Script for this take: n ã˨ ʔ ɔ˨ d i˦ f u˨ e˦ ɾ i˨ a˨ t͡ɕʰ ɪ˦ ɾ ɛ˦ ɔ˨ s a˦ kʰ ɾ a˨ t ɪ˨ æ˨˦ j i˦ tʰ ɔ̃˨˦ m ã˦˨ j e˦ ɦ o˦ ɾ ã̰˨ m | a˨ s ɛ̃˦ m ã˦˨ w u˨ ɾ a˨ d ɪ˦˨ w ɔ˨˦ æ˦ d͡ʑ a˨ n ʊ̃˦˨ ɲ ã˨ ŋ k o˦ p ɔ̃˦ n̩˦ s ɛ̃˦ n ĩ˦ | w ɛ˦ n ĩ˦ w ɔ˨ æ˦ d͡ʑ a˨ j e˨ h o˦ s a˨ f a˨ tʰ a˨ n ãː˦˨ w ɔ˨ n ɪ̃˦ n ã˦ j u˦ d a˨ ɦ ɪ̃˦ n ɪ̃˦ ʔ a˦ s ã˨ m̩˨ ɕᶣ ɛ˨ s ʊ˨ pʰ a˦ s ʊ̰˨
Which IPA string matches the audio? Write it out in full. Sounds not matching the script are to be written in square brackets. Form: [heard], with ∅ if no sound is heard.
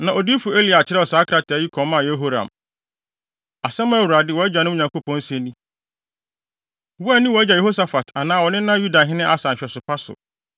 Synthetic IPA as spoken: n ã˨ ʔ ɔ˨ d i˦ f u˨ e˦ [l] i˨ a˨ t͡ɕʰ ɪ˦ ɾ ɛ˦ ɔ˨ s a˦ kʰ ɾ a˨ t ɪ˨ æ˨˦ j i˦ [kʰ] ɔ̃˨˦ m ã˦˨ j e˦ ɦ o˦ ɾ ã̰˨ m | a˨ s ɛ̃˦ m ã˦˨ w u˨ ɾ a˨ d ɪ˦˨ w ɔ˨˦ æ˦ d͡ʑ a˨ n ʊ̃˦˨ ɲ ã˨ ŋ k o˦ p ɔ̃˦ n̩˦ s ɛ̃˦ n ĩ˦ | w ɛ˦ n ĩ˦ w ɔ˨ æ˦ d͡ʑ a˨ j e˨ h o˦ s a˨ f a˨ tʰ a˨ n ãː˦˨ w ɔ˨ n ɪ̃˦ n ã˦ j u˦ d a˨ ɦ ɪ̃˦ n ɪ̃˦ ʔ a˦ s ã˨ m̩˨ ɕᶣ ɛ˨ s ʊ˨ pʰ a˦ s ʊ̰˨

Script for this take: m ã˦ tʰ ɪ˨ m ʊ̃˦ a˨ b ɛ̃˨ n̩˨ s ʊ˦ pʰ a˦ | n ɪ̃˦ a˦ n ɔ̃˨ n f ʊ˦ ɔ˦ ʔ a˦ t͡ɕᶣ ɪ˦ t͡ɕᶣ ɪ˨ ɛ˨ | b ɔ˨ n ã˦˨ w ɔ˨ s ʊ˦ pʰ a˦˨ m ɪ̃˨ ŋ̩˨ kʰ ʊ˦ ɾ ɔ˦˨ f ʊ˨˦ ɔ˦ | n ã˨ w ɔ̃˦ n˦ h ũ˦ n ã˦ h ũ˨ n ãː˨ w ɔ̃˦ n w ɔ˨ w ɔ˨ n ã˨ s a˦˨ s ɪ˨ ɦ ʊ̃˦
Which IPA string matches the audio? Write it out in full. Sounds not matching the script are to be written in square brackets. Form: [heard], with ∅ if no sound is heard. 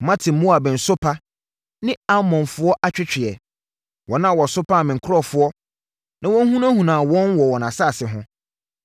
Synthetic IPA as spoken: m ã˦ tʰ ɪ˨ m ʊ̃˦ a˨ b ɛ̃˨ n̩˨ s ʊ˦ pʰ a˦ | n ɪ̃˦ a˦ [m] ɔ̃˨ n f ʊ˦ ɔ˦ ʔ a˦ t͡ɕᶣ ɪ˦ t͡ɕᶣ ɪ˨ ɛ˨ | [w] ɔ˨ n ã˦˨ w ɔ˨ s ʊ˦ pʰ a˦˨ m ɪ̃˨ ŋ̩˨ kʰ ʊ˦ ɾ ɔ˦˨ f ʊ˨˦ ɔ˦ | n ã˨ w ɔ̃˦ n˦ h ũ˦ n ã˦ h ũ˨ n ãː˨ w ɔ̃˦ n w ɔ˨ w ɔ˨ n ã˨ s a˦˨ s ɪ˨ ɦ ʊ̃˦

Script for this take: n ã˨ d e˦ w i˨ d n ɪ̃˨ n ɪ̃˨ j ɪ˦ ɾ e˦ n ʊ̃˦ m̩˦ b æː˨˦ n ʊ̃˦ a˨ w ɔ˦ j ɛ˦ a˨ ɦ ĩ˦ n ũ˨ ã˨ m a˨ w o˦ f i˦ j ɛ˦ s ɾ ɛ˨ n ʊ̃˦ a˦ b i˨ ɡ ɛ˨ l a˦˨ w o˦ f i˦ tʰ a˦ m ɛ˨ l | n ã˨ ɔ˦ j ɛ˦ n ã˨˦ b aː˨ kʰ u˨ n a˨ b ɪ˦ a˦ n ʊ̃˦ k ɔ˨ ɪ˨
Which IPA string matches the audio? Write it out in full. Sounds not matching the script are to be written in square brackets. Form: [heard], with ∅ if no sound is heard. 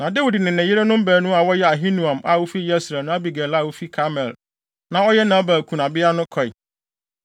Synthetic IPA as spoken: n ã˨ d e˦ w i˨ d n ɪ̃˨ n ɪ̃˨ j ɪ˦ ɾ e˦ n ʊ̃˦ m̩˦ b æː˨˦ n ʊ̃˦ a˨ w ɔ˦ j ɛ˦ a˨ ɦ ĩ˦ n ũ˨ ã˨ m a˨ w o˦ f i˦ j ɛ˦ s ɾ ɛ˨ n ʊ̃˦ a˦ b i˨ ɡ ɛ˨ l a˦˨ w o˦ f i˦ [kʰ] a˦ m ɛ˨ l | n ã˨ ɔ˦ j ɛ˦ n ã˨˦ b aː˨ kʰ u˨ n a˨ b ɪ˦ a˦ n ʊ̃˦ [kʰ] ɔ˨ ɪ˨

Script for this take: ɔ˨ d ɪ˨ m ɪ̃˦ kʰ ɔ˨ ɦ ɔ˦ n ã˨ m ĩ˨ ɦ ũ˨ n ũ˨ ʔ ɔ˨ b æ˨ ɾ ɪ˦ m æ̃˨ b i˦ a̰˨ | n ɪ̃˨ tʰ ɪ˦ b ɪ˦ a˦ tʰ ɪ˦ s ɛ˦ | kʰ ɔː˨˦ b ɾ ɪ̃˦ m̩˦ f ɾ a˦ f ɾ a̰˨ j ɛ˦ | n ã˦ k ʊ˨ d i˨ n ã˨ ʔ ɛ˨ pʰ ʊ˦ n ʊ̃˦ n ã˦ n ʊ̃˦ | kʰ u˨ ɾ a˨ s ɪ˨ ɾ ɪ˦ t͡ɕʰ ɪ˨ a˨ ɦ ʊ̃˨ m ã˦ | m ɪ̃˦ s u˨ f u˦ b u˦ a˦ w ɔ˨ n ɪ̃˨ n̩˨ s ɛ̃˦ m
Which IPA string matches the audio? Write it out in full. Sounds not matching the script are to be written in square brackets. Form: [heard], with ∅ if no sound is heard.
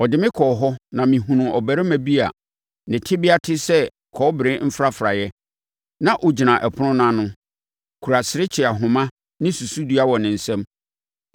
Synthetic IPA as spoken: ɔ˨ d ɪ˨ m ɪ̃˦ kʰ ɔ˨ ɦ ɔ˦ n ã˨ m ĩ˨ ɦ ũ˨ n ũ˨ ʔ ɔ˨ b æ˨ ɾ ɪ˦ m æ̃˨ b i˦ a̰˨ | n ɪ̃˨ tʰ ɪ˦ b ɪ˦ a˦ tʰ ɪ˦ s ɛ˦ | kʰ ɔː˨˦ b ɾ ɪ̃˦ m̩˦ f ɾ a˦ f ɾ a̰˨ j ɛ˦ | n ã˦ [ʔ] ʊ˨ [d͡ʑ] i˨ n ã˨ ʔ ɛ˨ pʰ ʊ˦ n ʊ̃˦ n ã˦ n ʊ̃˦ | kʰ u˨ ɾ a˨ s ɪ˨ ɾ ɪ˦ t͡ɕʰ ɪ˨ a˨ ɦ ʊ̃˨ m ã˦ | [n] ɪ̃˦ s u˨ [s] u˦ [d] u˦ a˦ w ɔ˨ n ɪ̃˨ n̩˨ s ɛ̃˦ m

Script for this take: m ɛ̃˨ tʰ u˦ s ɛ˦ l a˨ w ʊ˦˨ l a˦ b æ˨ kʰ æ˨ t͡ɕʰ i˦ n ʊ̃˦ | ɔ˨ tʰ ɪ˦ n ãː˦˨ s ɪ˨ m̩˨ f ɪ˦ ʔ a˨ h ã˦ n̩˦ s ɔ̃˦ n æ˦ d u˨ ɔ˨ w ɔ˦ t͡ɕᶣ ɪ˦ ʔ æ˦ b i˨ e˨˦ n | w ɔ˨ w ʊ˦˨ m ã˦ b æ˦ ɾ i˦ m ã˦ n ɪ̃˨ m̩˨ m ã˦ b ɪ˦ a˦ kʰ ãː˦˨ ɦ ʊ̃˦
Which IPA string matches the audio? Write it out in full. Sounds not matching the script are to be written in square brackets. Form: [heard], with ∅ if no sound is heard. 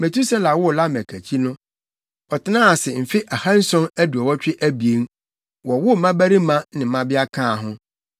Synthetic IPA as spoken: m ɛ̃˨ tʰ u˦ s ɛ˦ l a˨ w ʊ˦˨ l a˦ [m] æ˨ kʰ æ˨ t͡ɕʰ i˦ n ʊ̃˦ | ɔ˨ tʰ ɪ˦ n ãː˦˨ s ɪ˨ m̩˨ f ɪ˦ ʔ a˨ h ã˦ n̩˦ s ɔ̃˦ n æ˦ d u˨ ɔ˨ w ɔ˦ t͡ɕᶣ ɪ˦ ʔ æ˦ b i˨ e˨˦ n | w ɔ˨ w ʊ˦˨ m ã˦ b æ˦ ɾ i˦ m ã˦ n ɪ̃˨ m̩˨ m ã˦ b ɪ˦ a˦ kʰ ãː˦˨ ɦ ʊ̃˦

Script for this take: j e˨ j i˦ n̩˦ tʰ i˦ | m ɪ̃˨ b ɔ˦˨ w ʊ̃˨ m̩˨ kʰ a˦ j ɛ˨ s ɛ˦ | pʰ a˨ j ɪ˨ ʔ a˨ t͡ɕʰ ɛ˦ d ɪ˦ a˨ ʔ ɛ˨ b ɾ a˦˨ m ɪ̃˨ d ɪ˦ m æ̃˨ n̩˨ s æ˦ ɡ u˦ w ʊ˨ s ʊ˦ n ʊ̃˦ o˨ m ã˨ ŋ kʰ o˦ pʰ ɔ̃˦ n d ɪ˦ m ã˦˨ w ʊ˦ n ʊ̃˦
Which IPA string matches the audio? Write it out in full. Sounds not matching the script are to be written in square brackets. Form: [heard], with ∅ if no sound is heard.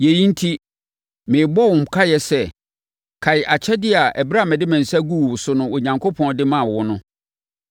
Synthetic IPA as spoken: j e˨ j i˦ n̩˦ tʰ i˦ | m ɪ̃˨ b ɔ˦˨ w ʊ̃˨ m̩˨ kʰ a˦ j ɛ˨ s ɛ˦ | [kʰ] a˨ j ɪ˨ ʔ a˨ t͡ɕʰ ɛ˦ d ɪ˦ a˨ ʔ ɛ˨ b ɾ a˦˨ m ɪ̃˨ d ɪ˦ m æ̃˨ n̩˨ s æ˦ ɡ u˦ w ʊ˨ s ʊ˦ n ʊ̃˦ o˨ [ɲ] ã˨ ŋ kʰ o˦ pʰ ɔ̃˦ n d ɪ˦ m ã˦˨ w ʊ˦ n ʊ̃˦

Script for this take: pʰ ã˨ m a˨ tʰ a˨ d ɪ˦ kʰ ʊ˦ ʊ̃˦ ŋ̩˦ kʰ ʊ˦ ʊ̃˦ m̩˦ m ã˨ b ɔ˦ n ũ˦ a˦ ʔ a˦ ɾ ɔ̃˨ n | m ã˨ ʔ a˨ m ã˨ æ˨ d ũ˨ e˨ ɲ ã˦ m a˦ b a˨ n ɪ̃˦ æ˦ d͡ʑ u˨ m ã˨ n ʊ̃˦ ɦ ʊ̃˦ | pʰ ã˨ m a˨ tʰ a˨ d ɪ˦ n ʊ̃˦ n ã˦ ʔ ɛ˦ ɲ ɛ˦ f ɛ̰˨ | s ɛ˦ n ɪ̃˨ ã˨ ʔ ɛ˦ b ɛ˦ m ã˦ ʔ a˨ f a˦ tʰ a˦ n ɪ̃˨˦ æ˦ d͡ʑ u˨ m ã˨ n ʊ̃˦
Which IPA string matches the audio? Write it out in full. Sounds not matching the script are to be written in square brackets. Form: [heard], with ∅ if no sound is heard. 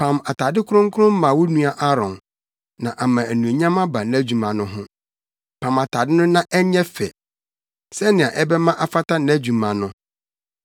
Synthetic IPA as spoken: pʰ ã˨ m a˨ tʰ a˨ d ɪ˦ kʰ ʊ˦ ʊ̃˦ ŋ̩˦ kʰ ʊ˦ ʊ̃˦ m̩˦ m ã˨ [w] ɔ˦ n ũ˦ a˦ ʔ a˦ ɾ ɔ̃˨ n | [n] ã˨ ʔ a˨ m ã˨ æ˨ [n] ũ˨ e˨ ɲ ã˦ m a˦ b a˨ n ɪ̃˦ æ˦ d͡ʑ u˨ m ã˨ n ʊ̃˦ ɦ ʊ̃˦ | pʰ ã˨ m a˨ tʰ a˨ d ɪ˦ n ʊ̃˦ n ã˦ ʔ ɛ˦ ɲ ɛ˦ f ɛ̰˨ | s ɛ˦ n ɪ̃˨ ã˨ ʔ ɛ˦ b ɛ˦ m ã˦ ʔ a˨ f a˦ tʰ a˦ n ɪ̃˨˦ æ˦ d͡ʑ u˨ m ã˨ n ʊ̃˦

